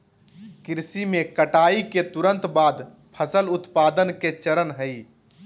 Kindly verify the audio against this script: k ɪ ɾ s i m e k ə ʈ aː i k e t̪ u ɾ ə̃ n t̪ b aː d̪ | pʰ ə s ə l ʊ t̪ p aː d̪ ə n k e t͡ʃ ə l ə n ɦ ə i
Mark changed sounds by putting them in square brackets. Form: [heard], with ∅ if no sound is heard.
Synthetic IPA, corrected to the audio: k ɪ ɾ s i m e k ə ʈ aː i k e t̪ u ɾ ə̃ n t̪ b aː d̪ | pʰ ə s ə l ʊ t̪ p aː d̪ ə n k e t͡ʃ ə [ɾ] ə n ɦ ə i